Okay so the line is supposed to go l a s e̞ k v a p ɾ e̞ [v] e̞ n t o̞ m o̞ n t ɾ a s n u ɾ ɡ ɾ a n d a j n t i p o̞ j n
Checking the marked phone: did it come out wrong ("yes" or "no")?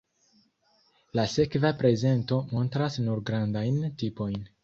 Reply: yes